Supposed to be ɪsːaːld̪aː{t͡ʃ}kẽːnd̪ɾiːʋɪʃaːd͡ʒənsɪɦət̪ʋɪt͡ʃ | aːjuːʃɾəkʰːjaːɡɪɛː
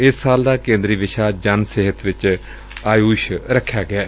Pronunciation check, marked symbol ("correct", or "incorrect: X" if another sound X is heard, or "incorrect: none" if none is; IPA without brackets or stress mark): incorrect: none